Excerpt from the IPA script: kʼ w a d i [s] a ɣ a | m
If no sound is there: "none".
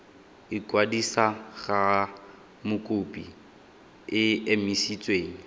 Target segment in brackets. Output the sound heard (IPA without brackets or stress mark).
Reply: s